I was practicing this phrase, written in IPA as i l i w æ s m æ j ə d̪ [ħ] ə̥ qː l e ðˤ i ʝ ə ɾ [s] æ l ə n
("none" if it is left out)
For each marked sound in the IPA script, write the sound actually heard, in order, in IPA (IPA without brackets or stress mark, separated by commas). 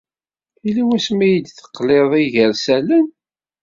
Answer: θ, s